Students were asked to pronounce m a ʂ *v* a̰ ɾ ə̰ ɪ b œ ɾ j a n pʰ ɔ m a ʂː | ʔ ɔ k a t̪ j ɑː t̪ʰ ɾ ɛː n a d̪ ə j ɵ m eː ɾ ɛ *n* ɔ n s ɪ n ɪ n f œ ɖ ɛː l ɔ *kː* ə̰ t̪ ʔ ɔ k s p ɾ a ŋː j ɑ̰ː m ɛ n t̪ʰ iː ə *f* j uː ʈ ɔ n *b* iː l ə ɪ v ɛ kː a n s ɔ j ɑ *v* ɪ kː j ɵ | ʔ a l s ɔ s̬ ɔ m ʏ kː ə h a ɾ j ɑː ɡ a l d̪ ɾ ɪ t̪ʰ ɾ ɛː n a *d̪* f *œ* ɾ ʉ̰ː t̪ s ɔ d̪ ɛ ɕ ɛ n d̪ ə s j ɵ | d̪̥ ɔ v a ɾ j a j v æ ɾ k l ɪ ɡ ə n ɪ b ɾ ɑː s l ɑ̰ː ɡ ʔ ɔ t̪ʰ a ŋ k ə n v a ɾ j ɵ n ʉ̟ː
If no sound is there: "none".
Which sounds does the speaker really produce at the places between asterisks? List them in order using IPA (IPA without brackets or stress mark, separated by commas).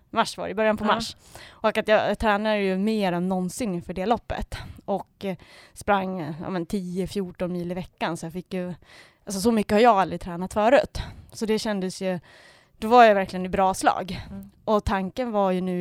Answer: v, nː, pː, f, m, f, t̪, œː